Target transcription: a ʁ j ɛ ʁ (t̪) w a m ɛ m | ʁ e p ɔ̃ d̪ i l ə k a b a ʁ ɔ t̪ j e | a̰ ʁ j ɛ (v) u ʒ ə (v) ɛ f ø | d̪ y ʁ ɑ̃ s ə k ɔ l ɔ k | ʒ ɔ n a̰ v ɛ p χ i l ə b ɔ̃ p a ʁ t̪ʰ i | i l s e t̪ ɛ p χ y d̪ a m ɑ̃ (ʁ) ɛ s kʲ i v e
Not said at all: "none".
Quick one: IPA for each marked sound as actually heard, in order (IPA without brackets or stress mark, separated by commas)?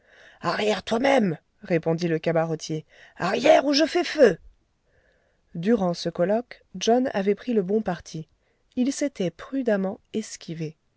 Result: t̪, ʁ, f, none